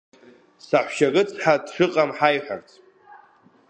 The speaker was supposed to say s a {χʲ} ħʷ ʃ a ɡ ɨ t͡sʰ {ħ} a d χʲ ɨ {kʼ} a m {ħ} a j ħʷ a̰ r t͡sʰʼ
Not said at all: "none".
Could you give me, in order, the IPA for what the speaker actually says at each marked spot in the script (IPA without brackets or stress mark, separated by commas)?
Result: none, ħ, qʼ, ħ